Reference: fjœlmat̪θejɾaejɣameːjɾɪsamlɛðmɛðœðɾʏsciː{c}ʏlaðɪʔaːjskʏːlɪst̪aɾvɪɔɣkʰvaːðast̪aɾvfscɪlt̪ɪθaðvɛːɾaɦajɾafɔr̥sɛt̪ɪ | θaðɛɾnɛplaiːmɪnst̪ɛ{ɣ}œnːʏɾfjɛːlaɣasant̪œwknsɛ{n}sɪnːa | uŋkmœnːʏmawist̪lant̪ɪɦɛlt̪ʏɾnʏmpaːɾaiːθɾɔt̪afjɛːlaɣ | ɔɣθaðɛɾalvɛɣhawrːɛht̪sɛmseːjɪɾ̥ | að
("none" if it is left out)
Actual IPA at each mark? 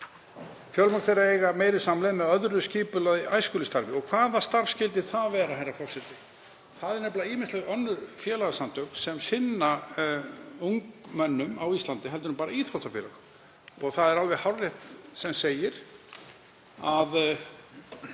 p, ɣ, m

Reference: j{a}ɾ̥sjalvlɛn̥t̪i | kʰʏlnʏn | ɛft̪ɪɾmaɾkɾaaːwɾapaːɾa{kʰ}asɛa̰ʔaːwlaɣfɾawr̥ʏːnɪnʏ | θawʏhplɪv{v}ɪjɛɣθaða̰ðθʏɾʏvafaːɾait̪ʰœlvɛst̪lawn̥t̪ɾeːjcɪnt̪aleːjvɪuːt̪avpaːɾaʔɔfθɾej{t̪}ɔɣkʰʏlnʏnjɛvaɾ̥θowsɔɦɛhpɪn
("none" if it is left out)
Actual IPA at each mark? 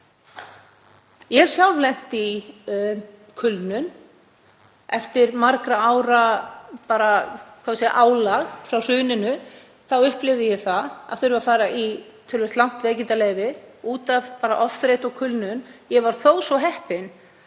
ɛ, kʰ, ð, t̪

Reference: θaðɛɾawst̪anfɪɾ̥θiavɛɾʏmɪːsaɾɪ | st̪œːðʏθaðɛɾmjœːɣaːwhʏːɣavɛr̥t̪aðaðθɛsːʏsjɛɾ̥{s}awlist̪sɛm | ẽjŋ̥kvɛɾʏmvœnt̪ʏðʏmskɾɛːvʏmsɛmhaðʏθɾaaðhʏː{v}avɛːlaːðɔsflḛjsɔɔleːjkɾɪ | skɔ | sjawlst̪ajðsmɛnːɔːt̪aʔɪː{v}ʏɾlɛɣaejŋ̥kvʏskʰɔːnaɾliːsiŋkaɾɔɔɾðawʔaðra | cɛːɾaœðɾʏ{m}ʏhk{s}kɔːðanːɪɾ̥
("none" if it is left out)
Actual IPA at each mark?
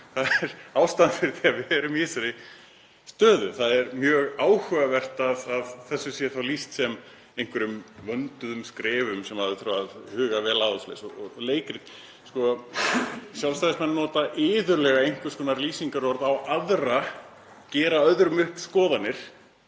θ, ɣ, ð, m, s

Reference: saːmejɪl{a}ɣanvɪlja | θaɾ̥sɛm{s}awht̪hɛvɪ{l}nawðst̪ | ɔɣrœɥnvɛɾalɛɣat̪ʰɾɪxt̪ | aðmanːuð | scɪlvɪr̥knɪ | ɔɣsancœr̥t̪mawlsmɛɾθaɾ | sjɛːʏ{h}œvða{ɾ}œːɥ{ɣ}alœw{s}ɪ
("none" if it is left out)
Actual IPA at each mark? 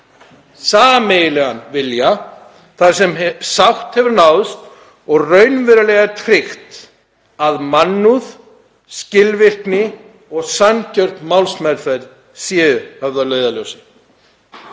ɛ, s, ɾ, h, l, ð, s

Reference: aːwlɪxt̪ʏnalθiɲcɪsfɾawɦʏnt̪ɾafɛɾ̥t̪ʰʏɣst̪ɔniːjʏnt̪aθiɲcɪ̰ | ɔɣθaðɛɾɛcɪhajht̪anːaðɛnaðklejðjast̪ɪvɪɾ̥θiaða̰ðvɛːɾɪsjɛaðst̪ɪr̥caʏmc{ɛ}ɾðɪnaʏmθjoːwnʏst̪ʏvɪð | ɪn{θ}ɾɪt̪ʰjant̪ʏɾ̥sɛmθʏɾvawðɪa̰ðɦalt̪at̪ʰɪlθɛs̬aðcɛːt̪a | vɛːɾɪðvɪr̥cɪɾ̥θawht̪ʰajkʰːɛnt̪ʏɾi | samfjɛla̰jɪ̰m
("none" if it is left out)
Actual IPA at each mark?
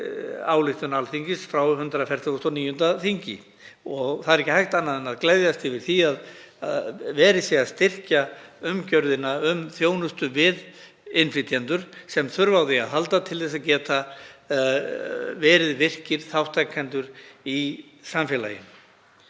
œ, f

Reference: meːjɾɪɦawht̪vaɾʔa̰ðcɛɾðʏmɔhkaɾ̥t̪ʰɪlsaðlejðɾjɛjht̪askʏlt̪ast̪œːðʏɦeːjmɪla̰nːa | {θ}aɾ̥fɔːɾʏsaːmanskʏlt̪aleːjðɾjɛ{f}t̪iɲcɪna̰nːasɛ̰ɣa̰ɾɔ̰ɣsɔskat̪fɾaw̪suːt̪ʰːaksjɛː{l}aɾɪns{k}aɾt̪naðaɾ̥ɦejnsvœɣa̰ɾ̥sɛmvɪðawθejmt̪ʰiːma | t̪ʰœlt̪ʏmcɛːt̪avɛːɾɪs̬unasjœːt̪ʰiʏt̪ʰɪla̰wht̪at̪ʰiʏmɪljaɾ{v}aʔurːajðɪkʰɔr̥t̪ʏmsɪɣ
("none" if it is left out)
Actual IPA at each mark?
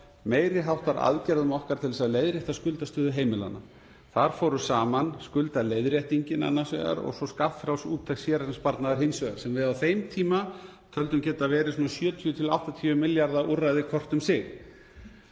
θ, h, ɾ, p, ð

